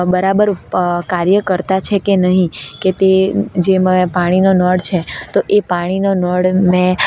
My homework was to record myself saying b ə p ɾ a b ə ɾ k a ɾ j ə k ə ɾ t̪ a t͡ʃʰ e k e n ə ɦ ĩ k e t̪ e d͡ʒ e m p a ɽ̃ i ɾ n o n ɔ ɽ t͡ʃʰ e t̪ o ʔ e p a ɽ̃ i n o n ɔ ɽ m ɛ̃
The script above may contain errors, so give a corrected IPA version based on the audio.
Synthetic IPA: b ə ɾ a b ə ɾ k a ɾ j ə k ə ɾ t̪ a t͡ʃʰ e k e n ə ɦ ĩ k e t̪ e d͡ʒ e m p a ɽ̃ i n o n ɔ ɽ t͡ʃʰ e t̪ o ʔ e p a ɽ̃ i n o n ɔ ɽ m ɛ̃